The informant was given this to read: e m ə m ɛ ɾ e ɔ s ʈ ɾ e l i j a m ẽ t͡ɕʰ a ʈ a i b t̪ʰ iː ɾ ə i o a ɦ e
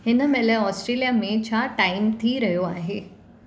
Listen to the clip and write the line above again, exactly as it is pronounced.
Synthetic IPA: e n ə m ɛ l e ɔ s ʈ ɾ e l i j a m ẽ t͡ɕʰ a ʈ a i m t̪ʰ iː ɾ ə j o a ɦ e